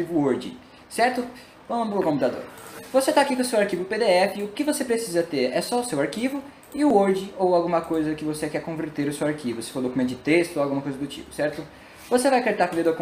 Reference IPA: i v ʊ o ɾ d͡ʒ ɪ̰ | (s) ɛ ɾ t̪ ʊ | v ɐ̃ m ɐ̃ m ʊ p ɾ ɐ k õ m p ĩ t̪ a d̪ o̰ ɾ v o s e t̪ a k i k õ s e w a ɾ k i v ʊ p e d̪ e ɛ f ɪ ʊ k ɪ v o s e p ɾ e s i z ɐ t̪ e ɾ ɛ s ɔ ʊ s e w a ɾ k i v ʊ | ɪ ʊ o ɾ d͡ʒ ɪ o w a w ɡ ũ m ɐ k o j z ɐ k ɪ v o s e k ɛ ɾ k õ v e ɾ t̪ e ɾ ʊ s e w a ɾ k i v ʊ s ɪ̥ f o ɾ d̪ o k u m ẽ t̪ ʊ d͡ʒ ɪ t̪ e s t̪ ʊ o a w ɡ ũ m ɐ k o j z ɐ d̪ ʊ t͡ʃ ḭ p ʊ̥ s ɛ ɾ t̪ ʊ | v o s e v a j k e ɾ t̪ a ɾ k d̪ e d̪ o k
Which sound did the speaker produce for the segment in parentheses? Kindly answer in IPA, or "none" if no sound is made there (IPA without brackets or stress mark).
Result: s